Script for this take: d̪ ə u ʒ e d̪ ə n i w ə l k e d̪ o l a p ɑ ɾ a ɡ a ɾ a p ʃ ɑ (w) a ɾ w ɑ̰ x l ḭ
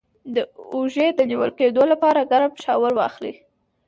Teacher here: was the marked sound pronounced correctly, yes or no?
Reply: yes